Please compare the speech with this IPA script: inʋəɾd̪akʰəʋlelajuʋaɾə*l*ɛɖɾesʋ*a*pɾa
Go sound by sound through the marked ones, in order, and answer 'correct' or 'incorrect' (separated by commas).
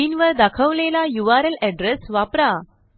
correct, correct